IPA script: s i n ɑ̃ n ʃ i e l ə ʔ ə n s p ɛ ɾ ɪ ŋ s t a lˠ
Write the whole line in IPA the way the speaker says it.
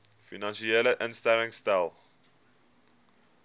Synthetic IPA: f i n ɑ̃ n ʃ i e l ə ʔ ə n s t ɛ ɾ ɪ ŋ s t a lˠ